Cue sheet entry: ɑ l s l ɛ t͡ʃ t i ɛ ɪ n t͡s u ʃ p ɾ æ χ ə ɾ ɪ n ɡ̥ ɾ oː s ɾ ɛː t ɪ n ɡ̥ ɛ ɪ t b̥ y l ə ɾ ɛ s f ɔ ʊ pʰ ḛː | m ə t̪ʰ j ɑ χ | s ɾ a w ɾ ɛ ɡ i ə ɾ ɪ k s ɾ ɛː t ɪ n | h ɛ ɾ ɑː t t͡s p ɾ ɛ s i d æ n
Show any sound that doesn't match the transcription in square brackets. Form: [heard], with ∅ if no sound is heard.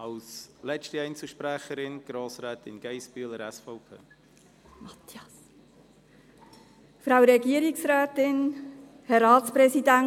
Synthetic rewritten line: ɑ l s l ɛ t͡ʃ t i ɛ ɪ n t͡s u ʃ p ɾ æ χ ə ɾ ɪ n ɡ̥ ɾ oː s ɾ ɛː t ɪ n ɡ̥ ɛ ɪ [s] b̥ y l ə ɾ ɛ s f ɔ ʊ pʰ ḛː | m [ɑ] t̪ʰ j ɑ [s] | [f] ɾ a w ɾ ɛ ɡ i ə ɾ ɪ k s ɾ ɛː t ɪ n | h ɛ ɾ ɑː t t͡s p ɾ ɛ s i d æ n